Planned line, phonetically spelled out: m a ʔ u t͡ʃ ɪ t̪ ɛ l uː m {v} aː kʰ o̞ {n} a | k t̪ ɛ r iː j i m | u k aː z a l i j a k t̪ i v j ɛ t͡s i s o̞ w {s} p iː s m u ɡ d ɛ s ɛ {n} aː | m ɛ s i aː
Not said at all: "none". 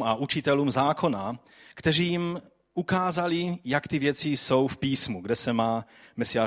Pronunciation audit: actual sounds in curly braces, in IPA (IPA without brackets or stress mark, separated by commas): z, n, f, m